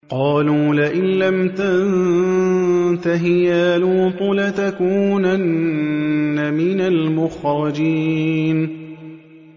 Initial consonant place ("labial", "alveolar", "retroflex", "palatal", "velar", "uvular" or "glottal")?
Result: uvular